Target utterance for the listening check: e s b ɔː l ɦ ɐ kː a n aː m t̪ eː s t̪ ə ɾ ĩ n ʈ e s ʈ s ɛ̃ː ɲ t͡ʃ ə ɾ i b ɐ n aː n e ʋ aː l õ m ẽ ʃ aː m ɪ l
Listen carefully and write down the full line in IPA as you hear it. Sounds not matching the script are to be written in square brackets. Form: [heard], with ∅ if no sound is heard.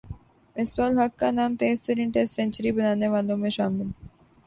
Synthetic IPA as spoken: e s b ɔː l ɦ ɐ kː a n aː m t̪ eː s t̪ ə ɾ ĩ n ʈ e s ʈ s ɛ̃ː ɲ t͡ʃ ə ɾ i b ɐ n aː n e ʋ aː l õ m ẽ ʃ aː m ɪ l